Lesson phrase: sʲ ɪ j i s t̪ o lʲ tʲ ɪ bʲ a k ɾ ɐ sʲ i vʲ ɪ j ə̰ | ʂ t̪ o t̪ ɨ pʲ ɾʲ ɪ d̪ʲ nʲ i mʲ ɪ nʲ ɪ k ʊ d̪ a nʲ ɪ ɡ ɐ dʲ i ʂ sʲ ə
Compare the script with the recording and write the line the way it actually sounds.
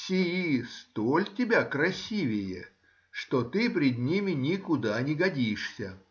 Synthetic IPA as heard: sʲ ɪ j i s t̪ o lʲ tʲ ɪ bʲ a k ɾ ɐ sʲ i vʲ ɪ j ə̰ | ʂ t̪ o t̪ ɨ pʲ ɾʲ ɪ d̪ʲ nʲ i mʲ ɪ nʲ ɪ k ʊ d̪ a nʲ ɪ ɡ ɐ dʲ i ʂ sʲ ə

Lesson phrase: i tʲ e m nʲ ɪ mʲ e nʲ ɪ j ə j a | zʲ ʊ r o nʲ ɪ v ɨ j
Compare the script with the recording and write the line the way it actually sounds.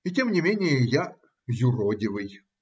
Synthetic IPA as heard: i tʲ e m nʲ ɪ mʲ e nʲ ɪ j ə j a | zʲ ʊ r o dʲ ɪ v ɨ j

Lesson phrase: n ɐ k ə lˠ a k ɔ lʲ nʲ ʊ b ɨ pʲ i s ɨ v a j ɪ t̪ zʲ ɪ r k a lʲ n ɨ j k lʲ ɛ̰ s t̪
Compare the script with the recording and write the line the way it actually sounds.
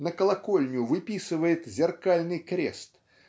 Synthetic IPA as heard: n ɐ k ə lˠ a k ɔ lʲ nʲ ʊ v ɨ pʲ i s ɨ v ə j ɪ t̪ zʲ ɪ r k a lʲ n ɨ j k ɾʲ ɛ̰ s t̪

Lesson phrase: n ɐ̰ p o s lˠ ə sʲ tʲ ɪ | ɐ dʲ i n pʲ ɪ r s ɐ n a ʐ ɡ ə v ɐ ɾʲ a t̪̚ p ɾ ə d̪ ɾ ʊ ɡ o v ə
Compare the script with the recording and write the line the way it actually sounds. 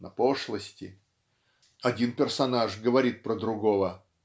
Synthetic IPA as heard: n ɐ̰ p o ʂ lˠ ə sʲ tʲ ɪ | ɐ dʲ i n pʲ ɪ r s ɐ n a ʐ ɡ ə v ɐ ɾʲ i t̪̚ p ɾ ə d̪ ɾ ʊ ɡ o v ə

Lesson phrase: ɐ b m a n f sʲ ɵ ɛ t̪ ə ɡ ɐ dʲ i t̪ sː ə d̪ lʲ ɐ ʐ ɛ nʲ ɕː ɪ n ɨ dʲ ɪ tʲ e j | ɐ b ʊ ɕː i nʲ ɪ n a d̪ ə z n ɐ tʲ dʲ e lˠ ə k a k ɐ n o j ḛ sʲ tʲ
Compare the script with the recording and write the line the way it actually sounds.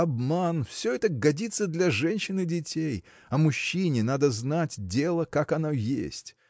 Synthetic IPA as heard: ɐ b m a n f sʲ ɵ ɛ t̪ ə ɡ ɐ dʲ i t̪ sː ə d̪ lʲ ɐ ʐ ɛ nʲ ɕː ɪ n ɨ dʲ ɪ tʲ e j | ɐ m ʊ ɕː i nʲ ɪ n a d̪ ə z n a tʲ dʲ e lˠ ə k a k ɐ n o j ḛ sʲ tʲ

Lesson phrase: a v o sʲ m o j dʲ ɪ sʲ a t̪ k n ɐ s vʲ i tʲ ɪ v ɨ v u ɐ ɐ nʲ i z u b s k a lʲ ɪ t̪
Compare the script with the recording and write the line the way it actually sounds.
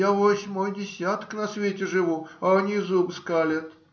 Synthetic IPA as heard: a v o sʲ m o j dʲ ɪ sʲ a t̪ k n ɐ s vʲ e tʲ ɪ ʐ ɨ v u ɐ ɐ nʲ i z u b s k a lʲ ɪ t̪

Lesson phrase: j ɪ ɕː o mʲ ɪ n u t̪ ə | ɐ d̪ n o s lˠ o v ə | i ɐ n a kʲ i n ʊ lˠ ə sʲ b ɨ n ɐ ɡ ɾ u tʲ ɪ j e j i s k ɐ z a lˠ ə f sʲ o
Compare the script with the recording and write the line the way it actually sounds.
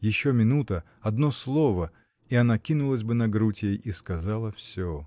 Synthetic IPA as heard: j ɪ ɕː o mʲ ɪ n u t̪ ə | ɐ d̪ n o s lˠ o v ə | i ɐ n a kʲ i n ʊ lˠ ə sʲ b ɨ n ɐ ɡ ɾ u tʲ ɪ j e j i s k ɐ z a lˠ ə f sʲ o

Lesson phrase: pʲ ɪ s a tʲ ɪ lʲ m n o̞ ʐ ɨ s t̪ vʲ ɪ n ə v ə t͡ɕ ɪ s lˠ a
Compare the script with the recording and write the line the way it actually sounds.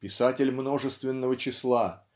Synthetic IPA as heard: pʲ ɪ s a tʲ ɪ lʲ m n o̞ ʐ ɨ s t̪ vʲ ɪ nː ə v ə t͡ɕ ɪ s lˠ a

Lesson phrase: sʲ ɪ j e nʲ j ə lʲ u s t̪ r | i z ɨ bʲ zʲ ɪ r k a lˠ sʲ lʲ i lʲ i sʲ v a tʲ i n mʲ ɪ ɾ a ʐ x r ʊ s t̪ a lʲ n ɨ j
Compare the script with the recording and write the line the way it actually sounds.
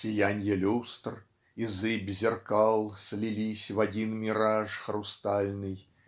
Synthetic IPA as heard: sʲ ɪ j a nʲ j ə lʲ u s t̪ r | i z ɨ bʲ zʲ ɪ r k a lˠ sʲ lʲ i lʲ i sʲ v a dʲ i n mʲ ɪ ɾ a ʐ x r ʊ s t̪ a lʲ n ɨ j

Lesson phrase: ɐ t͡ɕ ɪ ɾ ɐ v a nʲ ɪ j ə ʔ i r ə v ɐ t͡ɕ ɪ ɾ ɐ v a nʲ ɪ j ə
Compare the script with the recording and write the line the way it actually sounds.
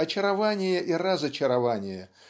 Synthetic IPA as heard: ɐ t͡ɕ ɪ ɾ ɐ v a nʲ ɪ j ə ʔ i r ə z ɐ t͡ɕ ɪ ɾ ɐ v a nʲ ɪ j ə

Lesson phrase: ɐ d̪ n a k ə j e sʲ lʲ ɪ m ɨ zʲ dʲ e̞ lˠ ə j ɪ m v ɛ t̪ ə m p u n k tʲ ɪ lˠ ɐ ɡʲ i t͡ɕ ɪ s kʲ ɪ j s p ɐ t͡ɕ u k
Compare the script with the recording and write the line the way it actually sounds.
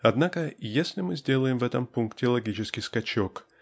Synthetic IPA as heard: ɐ d̪ n a k ə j e sʲ lʲ ɪ m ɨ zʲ dʲ e̞ lˠ ə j ɪ m v ɛ t̪ ə m p u n k tʲ ɪ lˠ ɐ ɡʲ i t͡ɕ ɪ s kʲ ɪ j s k ɐ t͡ɕ o k

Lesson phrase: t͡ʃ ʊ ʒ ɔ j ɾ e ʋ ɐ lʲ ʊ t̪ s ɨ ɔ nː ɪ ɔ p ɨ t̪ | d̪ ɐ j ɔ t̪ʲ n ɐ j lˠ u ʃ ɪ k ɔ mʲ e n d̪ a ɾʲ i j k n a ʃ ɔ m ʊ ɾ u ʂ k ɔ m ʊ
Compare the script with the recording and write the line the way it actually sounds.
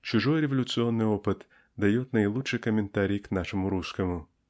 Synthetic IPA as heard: t͡ʃ ʊ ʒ ɔ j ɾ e ʋ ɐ lʲ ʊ t̪ s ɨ ɔ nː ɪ ɔ p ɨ t̪ | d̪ ɐ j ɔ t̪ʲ n ɐ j lˠ u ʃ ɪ k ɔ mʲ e n t̪ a ɾʲ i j k n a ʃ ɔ m ʊ ɾ u s k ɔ m ʊ

